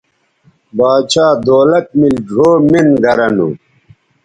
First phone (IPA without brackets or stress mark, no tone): b